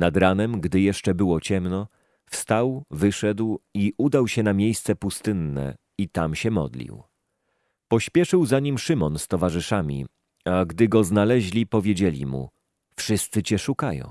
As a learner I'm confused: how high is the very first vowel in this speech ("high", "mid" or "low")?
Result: low